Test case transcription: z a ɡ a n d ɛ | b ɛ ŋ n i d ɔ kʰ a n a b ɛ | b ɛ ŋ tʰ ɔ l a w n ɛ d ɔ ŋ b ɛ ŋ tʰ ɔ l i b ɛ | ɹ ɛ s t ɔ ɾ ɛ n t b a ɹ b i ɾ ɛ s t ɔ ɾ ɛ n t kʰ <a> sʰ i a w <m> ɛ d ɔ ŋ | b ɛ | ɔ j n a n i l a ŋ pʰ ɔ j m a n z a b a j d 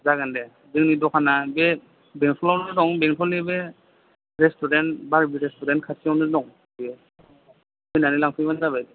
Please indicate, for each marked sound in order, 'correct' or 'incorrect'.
correct, incorrect: n

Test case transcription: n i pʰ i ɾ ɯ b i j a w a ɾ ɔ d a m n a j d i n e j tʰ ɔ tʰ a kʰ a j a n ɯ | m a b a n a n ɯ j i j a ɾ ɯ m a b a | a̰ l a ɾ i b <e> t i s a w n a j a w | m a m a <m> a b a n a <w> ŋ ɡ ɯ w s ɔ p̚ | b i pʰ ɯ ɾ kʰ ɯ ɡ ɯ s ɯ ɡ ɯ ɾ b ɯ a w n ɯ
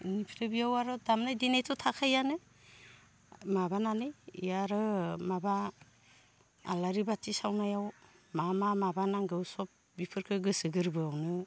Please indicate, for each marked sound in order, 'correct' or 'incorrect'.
incorrect: a, correct, incorrect: none

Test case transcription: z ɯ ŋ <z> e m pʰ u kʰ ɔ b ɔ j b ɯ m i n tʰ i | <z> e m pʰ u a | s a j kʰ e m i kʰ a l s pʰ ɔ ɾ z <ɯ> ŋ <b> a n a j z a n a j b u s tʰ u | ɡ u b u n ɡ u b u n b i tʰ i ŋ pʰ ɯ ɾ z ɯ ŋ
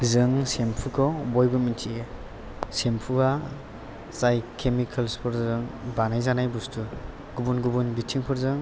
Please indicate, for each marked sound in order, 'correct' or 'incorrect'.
incorrect: s, incorrect: s, correct, correct

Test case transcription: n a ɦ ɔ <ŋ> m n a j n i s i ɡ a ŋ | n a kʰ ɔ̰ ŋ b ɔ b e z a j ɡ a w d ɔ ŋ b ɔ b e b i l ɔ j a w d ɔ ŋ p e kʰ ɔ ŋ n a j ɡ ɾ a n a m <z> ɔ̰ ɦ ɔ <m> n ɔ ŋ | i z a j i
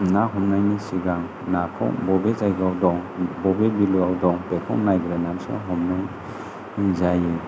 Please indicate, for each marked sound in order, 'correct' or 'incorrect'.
incorrect: none, incorrect: s, correct

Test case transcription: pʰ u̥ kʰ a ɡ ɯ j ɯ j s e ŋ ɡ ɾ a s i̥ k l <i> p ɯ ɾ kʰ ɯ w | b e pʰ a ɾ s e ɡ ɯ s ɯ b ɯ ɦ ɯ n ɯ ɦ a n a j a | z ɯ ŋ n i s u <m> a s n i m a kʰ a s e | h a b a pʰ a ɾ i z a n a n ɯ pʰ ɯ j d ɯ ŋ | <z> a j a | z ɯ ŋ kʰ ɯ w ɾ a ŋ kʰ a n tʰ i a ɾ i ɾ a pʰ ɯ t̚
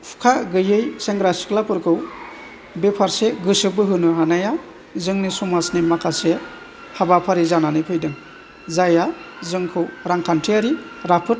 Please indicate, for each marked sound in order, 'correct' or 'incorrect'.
incorrect: a, correct, correct

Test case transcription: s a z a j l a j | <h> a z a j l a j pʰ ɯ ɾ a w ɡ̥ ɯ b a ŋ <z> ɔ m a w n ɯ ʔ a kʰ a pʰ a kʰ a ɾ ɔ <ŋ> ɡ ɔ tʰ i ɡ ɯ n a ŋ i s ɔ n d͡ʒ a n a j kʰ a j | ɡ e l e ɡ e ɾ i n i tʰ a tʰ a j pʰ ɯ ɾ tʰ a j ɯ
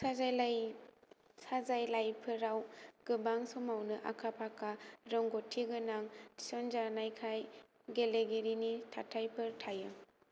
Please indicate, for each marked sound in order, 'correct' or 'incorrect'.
incorrect: s, incorrect: s, correct

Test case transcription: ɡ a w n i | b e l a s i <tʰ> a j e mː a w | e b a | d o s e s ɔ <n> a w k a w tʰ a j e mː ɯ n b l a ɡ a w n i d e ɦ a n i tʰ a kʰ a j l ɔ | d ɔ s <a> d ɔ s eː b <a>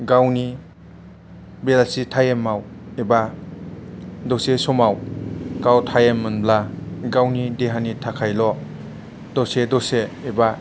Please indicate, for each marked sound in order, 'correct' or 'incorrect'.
correct, incorrect: m, incorrect: e, correct

